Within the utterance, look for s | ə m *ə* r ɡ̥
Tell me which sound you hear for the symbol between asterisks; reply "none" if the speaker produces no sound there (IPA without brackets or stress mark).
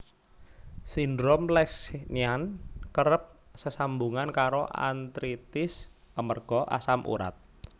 ə